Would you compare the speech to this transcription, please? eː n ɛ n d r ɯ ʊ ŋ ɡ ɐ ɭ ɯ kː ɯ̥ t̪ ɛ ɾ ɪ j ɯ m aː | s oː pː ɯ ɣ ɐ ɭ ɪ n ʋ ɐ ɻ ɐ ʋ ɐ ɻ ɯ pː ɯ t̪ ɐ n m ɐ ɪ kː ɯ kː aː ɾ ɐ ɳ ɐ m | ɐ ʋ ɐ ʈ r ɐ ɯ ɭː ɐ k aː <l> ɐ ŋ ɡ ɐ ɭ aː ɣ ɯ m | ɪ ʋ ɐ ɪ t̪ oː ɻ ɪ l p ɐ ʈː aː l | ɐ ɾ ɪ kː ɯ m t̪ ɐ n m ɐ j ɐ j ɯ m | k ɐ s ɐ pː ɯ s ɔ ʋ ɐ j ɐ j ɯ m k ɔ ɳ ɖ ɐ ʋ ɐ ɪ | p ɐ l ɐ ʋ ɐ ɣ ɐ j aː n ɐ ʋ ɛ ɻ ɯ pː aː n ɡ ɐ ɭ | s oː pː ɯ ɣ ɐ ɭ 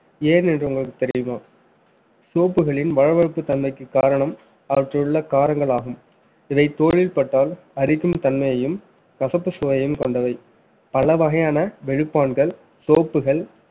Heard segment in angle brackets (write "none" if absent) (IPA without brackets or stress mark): ɾ